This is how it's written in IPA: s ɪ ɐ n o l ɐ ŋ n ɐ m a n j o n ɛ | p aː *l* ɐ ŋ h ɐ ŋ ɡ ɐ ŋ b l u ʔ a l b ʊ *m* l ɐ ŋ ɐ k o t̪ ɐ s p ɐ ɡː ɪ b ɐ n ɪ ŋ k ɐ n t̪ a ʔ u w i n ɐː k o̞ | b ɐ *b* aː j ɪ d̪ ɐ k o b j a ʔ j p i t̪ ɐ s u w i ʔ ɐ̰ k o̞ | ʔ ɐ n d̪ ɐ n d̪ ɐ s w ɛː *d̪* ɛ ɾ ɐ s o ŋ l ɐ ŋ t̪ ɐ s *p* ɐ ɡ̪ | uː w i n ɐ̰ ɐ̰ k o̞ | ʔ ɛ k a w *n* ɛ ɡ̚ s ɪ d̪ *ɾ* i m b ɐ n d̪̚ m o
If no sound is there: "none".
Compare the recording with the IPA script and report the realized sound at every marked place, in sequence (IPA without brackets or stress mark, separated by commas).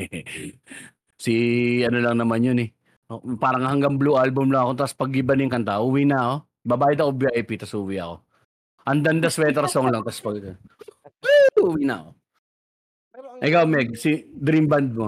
ɾ, m, b, t̪, p, m, ɾ